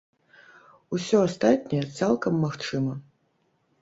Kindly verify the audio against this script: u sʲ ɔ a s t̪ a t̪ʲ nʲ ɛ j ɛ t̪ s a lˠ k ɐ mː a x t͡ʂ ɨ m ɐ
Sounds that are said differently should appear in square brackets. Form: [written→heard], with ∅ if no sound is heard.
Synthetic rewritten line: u sʲ ɔ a s t̪ a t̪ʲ nʲ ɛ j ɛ t̪ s a lˠ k ɐ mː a x t͡ʂ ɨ m ɐ